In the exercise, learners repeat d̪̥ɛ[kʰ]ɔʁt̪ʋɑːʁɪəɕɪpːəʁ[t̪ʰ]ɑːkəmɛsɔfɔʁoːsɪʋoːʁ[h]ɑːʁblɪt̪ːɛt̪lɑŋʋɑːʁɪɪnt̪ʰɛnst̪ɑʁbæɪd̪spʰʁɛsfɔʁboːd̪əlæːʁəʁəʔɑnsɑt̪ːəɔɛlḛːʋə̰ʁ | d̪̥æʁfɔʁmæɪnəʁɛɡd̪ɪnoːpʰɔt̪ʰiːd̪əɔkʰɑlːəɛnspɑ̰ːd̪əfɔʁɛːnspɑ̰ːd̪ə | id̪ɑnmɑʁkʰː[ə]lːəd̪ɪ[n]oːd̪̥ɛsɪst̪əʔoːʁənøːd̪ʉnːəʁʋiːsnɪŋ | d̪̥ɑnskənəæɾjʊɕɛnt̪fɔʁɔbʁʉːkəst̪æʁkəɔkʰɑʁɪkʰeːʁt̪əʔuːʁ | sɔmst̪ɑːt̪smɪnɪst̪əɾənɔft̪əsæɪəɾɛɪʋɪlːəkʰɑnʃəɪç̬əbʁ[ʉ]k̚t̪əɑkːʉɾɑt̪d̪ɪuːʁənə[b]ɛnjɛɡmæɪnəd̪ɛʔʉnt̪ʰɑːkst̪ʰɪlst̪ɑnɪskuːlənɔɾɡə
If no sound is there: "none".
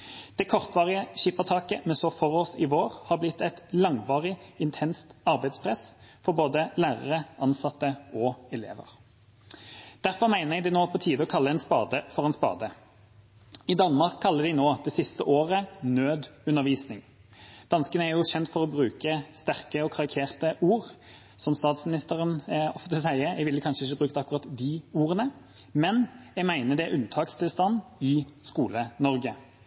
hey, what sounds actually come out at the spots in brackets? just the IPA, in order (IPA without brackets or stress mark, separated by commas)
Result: kʰ, t̪ʰ, h, ɑ, n, ʉː, m